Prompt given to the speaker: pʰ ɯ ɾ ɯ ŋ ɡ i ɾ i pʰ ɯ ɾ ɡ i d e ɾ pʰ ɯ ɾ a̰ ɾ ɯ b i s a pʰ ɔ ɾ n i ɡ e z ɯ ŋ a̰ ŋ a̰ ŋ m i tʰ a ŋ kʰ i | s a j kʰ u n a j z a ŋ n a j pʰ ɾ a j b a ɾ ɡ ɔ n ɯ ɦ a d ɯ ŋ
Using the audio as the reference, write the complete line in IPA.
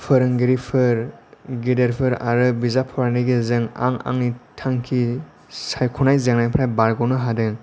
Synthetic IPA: pʰ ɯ ɾ ɯ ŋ ɡ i ɾ i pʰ ɯ ɾ ɡ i d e ɾ pʰ ɯ ɾ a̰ ɾ ɯ b i z a pʰ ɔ ɾ n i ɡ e z ɯ ŋ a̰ ŋ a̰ ŋ n i tʰ a ŋ kʰ i | s a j kʰ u n a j z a ŋ n a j pʰ ɾ a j b a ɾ ɡ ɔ n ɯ ɦ a d ɯ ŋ